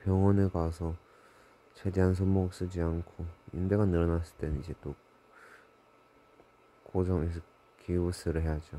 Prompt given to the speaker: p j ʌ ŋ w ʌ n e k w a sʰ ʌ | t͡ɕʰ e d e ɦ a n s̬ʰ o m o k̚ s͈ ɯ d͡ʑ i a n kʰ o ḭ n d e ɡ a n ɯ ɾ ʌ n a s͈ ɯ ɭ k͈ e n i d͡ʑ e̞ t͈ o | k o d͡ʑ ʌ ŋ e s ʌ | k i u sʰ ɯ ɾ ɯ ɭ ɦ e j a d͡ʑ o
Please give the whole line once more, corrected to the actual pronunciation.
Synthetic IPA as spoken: p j ʌ ŋ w ʌ n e k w a sʰ ʌ | t͡ɕʰ e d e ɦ a n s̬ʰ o m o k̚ s͈ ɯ d͡ʑ i a n kʰ o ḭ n d e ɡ a n ɯ ɾ ʌ n a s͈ ɯ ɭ t͈ e n i d͡ʑ e̞ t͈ o | k o d͡ʑ ʌ ŋ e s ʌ | k i u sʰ ɯ ɾ ɯ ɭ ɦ e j a d͡ʑ o